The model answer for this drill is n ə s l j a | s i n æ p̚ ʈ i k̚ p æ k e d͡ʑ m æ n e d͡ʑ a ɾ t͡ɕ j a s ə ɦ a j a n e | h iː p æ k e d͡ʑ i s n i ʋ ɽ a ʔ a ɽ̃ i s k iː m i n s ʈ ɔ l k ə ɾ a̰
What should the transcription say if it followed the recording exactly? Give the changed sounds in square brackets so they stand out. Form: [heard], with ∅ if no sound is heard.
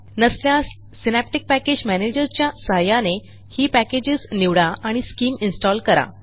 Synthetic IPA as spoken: n ə s l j a | s i n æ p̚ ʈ i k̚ p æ k e d͡ʑ m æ n e d͡ʑ [ə] ɾ t͡ɕ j a s ə ɦ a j a n e | h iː p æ k e d͡ʑ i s n i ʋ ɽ a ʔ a ɽ̃ i s k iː m i n s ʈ ɔ l k ə ɾ a̰